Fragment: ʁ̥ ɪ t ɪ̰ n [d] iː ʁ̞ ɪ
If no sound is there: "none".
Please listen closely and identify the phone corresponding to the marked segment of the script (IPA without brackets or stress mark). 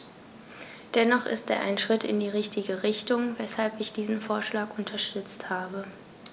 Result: d